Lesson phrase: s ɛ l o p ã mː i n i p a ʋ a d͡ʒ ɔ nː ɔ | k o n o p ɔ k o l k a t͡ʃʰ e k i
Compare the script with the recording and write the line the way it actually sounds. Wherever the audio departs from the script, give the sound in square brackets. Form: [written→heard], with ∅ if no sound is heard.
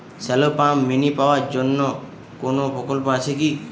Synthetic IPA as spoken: s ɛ l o p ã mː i n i p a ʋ a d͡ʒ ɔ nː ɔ | k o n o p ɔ k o l [k→p] a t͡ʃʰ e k i